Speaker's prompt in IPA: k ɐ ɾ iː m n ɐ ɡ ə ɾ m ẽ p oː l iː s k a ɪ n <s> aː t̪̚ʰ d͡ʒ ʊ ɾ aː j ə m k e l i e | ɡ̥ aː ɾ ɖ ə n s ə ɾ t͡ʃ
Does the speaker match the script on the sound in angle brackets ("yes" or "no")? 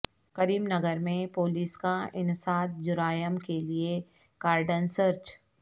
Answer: yes